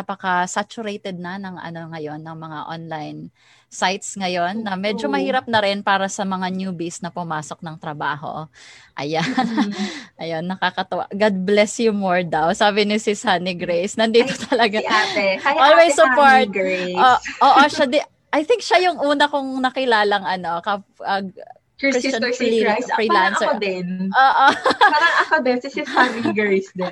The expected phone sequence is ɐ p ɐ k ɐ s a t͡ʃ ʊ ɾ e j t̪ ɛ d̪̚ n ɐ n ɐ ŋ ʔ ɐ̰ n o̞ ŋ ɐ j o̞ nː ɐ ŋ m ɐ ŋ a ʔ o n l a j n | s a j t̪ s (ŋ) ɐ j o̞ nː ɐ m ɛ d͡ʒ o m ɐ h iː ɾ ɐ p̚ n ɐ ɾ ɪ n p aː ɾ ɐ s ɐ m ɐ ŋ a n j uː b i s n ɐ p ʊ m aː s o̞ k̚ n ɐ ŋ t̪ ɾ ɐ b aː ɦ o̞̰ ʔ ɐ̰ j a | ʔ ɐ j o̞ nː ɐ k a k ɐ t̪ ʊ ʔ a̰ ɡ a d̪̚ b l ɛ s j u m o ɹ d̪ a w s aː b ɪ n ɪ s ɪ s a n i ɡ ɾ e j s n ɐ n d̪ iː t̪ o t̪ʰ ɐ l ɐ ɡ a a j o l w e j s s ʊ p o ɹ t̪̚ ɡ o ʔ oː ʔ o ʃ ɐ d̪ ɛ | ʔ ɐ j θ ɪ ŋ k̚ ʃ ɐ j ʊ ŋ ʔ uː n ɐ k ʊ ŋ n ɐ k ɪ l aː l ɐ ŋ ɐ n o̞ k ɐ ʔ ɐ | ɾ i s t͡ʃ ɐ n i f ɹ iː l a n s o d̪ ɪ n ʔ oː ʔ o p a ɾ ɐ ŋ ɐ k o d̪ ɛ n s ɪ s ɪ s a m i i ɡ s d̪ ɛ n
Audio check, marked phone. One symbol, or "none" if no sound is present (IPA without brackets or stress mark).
ŋ